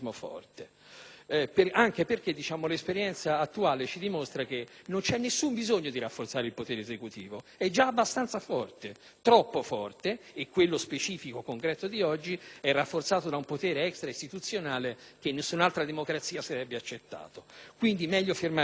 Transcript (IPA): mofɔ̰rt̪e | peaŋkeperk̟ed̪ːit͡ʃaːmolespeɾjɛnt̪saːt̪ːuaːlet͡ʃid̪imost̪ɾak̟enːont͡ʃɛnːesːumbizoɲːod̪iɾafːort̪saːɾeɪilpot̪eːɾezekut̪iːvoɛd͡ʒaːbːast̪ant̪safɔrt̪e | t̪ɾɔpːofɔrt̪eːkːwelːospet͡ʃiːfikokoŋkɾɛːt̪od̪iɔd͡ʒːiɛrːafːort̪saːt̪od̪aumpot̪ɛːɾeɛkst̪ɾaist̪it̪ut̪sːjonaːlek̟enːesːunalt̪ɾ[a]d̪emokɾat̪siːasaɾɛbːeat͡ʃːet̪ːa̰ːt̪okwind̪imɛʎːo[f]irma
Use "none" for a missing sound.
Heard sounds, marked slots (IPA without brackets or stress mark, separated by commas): a, f